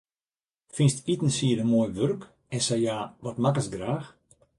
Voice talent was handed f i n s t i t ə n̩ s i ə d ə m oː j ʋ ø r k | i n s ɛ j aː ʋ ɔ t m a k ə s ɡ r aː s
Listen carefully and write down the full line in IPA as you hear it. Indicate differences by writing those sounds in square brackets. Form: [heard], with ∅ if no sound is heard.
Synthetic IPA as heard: f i n s t i t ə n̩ s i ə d ə m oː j ʋ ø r k | [ɛ] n s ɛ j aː ʋ ɔ t m a k ə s ɡ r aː [x]